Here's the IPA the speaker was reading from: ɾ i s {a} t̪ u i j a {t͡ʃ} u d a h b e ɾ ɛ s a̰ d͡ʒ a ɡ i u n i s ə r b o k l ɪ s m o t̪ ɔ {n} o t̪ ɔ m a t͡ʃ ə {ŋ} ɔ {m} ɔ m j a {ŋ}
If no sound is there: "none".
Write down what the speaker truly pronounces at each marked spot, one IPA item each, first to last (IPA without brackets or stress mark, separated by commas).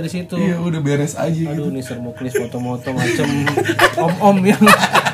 i, none, m, m, m, ŋ